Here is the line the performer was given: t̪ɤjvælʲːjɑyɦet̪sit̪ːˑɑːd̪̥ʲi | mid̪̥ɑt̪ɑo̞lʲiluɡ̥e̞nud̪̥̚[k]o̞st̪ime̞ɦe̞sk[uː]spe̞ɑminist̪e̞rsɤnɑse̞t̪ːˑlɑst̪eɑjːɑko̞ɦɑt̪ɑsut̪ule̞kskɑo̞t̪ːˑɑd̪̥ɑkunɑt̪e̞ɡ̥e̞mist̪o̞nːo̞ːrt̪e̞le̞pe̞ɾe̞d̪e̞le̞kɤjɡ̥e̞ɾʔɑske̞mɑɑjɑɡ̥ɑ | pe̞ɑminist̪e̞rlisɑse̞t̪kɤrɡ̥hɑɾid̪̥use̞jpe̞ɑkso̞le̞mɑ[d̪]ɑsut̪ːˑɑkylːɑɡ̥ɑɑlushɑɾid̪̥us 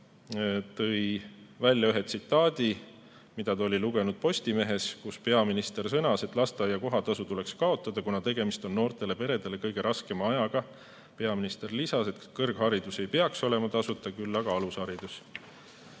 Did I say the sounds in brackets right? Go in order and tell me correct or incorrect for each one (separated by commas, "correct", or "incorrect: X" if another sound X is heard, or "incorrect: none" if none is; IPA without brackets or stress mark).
incorrect: p, incorrect: u, incorrect: t̪